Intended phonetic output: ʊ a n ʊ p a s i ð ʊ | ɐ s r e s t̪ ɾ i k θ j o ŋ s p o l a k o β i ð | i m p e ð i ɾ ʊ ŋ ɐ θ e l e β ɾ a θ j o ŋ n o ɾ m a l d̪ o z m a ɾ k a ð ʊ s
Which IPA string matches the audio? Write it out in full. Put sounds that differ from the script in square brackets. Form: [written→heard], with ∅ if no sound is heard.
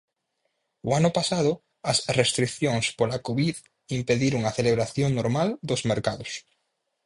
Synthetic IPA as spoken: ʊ a n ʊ p a s [i→a] ð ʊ | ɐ s r e s t̪ ɾ i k θ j o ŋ s p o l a k o β i ð | i m p e ð i ɾ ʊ ŋ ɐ θ e l e β ɾ a θ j o ŋ n o ɾ m a l d̪ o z m [a→e] ɾ k a ð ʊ s